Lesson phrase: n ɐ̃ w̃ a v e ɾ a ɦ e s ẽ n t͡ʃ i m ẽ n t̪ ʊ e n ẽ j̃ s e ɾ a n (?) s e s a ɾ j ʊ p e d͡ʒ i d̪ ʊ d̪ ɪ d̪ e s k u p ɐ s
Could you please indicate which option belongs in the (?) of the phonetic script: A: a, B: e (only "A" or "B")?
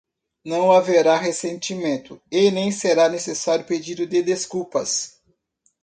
B